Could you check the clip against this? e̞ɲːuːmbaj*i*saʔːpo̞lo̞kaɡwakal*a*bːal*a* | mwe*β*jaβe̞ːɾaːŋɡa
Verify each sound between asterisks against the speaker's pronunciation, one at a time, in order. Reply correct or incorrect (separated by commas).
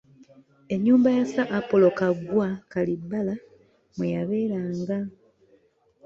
incorrect, incorrect, correct, incorrect